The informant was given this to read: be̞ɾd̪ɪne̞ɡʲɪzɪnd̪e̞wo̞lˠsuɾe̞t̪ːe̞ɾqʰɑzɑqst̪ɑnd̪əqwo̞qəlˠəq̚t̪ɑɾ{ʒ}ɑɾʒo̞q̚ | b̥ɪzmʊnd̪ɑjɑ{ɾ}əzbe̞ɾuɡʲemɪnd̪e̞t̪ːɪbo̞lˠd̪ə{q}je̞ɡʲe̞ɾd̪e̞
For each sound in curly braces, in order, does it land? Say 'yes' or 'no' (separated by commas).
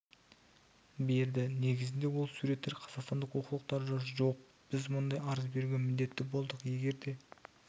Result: yes, yes, yes